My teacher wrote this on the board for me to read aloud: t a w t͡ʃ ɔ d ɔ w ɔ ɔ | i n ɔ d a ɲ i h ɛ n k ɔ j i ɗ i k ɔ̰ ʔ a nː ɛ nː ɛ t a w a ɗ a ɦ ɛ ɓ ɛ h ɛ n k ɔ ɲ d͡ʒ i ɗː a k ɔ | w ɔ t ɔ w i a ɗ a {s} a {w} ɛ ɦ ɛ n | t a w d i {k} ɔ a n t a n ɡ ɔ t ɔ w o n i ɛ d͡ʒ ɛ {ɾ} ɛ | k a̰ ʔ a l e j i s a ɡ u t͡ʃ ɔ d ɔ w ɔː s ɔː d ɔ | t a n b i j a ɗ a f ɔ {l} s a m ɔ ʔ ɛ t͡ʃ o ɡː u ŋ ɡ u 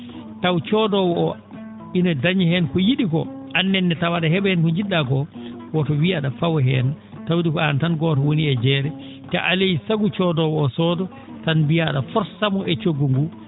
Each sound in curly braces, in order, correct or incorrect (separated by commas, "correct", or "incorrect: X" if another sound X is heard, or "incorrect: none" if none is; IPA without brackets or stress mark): incorrect: f, correct, correct, correct, incorrect: ɾ